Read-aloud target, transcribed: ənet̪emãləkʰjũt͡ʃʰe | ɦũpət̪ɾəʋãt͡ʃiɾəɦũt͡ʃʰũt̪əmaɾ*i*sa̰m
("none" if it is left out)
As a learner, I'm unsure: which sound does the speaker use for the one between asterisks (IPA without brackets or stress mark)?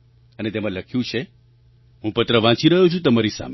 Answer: i